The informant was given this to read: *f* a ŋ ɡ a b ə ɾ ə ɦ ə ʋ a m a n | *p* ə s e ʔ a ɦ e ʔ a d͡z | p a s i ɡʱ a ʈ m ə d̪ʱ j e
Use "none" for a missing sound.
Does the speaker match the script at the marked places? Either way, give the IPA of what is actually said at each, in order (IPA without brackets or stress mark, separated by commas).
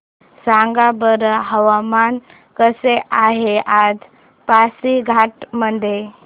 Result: s, k